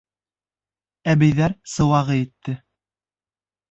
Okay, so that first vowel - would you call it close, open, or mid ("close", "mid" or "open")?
open